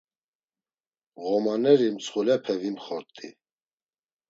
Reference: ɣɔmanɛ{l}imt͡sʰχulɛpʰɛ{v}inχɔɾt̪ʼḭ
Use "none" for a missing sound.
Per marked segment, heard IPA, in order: ɾ, v

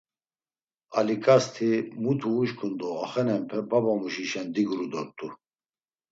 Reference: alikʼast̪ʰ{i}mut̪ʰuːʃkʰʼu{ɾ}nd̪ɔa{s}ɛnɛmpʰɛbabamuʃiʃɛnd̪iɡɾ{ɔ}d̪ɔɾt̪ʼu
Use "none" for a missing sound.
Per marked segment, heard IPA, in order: i, none, χ, u

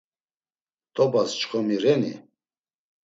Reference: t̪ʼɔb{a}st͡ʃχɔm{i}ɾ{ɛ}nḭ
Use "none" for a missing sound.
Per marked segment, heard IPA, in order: a, i, ɛ

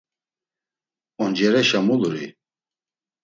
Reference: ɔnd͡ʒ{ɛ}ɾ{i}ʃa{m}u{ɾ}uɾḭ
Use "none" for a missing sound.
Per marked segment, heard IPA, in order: ɛ, ɛ, m, l

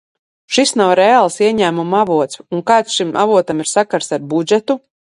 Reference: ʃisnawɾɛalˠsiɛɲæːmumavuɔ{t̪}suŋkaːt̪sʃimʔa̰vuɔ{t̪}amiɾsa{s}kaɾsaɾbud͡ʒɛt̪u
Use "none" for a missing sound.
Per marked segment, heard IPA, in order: t̪, t̪, none

